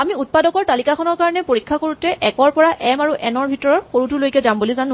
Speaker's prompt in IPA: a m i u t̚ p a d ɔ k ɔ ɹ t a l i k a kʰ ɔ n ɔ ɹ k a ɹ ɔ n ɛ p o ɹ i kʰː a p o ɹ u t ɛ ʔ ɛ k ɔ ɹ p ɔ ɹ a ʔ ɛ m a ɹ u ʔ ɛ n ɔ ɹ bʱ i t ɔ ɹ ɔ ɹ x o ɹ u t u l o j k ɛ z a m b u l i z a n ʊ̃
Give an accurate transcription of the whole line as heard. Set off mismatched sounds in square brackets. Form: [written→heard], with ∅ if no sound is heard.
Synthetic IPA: a m i u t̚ p a d ɔ k ɔ ɹ t a l i k a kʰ ɔ n ɔ ɹ k a ɹ ɔ n ɛ p o ɹ i kʰː a [p→k] o ɹ u t ɛ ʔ ɛ k ɔ ɹ p ɔ ɹ a ʔ ɛ m a ɹ u ʔ ɛ n ɔ ɹ bʱ i t ɔ ɹ ɔ ɹ x o ɹ u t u l o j k ɛ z a m b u l i z a n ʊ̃